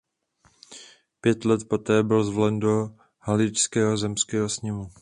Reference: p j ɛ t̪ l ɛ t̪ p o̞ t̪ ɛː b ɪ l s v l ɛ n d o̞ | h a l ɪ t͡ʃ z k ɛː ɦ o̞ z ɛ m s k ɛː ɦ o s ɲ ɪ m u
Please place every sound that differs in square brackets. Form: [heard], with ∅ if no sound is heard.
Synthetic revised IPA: p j ɛ t̪ l ɛ t̪ p o̞ t̪ ɛː b ɪ l [z] v l ɛ n d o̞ | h a l ɪ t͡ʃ [s] k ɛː ɦ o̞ z ɛ m s k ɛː ɦ o s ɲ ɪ m u